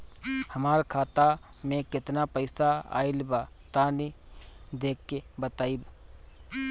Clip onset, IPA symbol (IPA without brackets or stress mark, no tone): h